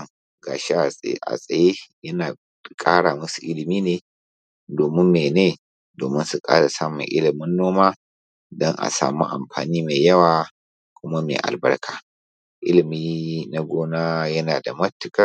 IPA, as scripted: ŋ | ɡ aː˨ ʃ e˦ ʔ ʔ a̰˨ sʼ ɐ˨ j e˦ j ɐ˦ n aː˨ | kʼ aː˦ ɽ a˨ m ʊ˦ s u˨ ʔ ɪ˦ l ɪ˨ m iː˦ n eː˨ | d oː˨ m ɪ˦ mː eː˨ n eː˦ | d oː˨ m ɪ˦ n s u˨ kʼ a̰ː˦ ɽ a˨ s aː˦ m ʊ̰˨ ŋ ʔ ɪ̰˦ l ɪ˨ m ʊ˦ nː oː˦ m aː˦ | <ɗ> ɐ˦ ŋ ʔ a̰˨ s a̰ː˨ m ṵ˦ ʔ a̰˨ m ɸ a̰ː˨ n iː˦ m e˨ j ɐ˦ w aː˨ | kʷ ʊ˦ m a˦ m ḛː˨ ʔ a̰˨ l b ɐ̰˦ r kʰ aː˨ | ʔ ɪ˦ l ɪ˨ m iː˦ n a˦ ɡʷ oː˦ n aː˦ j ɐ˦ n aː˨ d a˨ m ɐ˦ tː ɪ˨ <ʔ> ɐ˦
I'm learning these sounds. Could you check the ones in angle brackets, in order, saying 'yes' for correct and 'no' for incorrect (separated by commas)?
no, no